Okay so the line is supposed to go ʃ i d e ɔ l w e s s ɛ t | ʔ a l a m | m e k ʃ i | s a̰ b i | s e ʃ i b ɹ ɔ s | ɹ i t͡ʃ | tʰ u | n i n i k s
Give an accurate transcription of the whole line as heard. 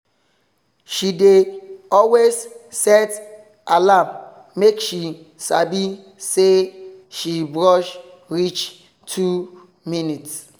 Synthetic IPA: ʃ i d e ɔ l w e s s ɛ t | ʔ a l a m | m e k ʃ i | s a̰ b i | s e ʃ i b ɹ ɔ ʃ | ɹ i t͡ʃ | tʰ u | m i n i t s